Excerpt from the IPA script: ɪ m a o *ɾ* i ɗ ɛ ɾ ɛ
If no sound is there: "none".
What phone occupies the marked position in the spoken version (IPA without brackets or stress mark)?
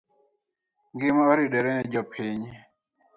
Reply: ɾ